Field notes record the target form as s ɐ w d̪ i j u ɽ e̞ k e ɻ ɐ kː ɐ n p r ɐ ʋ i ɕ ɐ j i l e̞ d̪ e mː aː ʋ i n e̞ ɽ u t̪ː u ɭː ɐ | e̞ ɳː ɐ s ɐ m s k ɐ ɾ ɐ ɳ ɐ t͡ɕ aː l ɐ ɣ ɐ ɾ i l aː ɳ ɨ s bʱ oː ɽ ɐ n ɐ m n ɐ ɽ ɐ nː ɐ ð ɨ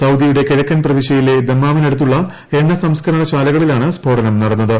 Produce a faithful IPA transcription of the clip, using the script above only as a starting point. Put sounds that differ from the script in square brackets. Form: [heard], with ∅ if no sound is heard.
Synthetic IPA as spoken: s ɐ w d̪ i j u ɽ e̞ k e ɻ ɐ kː ɐ n p r ɐ ʋ i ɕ ɐ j i l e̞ d̪ e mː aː ʋ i n e̞ ɽ u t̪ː u ɭː ɐ | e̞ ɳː ɐ s ɐ m s k ɐ ɾ ɐ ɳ ɐ t͡ɕ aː l ɐ ɣ ɐ [ɭ] i l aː ɳ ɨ s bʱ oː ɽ ɐ n ɐ m n ɐ ɽ ɐ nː ɐ ð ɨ